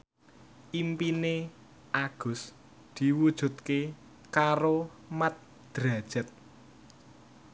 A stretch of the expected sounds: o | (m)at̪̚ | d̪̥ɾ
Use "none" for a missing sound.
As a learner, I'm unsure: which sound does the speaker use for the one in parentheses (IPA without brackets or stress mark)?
m